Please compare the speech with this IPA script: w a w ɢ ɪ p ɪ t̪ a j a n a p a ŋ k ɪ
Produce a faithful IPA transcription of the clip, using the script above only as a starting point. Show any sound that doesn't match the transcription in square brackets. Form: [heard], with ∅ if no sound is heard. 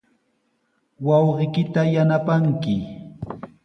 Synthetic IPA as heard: w [ɑ] w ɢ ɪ [k] ɪ t̪ a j a n a p a ŋ k ɪ